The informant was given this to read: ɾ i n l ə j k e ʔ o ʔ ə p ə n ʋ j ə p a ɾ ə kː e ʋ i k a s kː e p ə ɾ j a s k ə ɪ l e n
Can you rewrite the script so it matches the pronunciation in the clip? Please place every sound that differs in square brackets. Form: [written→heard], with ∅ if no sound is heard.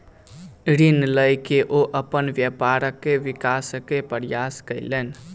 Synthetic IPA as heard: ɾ i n l ə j k e ʔ o ʔ ə p ə n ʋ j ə p a ɾ ə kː e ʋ i k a s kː e p ə ɾ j a s k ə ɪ l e n